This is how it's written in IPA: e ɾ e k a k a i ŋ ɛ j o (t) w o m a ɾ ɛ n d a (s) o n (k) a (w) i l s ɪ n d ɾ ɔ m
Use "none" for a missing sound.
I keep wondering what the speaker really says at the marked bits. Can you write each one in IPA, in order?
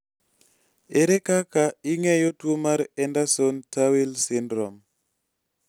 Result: t, s, t, w

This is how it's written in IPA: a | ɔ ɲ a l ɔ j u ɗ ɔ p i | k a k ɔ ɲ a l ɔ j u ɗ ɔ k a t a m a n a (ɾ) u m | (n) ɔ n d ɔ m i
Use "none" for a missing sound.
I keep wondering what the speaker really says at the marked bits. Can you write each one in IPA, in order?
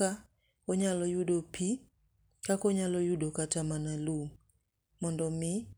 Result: l, m

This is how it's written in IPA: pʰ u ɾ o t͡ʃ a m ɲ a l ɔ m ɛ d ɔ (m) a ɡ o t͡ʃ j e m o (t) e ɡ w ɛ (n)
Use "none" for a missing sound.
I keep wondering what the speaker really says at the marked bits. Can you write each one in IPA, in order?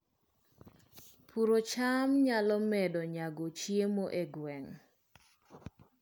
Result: ɲ, ʔ, ŋ

